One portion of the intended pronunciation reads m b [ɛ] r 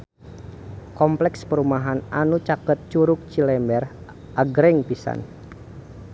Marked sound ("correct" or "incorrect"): correct